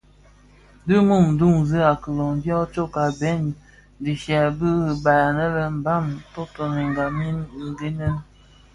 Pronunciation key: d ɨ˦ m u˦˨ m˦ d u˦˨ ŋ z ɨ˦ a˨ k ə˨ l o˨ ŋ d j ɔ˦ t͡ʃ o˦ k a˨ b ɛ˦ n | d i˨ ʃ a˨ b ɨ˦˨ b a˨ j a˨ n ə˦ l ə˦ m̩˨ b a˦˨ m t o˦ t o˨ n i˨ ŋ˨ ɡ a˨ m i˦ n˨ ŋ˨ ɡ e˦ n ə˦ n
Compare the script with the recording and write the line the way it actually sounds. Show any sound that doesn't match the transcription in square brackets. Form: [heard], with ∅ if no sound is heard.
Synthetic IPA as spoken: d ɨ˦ m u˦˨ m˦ d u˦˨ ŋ z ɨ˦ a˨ k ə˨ l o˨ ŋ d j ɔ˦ t͡ʃ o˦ k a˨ b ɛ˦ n | d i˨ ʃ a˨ b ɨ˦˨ b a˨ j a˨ n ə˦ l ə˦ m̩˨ b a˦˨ m t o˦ t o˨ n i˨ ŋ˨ ɡ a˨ m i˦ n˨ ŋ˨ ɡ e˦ n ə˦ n